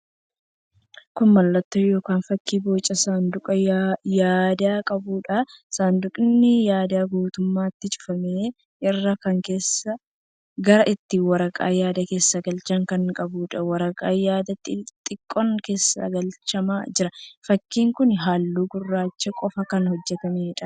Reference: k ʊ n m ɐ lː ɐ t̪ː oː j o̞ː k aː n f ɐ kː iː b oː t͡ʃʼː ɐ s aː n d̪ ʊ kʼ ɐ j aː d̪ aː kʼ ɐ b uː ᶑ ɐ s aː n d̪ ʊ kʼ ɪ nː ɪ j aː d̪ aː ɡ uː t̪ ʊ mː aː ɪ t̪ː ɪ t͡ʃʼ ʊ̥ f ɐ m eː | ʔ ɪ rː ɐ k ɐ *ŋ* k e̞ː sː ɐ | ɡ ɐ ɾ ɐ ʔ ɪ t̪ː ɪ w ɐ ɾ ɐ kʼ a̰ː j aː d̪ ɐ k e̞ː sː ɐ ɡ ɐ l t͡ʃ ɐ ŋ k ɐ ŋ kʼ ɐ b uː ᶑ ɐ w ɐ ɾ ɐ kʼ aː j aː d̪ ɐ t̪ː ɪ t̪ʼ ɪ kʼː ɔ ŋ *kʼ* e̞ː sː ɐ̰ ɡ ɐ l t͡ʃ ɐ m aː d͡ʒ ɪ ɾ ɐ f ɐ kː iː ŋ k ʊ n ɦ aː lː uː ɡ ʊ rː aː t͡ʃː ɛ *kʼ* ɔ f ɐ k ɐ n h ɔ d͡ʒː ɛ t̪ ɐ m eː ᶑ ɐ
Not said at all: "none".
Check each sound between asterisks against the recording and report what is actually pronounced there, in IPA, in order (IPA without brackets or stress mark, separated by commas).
ŋ, k, kʼ